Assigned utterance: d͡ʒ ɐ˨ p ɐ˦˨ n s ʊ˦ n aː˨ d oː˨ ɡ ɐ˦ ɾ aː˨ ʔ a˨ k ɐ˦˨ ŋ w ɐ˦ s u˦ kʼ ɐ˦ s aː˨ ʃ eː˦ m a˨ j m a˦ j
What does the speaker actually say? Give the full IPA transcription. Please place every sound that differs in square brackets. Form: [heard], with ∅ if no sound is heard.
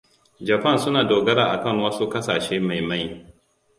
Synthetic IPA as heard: d͡ʒ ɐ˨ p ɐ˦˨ n s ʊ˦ n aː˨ d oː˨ ɡ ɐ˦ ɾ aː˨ ʔ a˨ k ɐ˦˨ ŋ w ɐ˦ s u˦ [k] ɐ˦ s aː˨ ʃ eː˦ m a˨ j m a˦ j